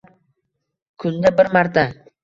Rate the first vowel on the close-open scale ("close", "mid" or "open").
close